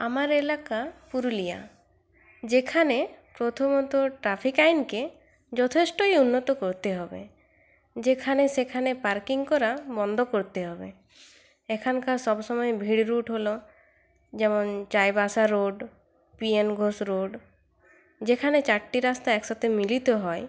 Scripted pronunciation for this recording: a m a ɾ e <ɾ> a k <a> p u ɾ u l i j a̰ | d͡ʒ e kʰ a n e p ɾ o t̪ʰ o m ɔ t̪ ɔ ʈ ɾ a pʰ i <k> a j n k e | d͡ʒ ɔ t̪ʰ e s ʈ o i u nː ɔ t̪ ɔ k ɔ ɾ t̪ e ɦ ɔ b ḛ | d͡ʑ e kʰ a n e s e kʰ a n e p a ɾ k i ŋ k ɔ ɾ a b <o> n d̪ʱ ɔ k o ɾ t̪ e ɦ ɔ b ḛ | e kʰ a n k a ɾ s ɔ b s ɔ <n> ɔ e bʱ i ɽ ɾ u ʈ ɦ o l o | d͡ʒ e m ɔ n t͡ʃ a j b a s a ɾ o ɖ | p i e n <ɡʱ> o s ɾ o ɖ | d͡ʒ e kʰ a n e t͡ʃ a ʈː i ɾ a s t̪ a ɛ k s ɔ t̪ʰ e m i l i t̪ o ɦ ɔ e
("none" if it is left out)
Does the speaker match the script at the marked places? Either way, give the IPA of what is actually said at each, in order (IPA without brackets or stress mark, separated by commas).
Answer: l, a, k, ɔ, m, ɡʱ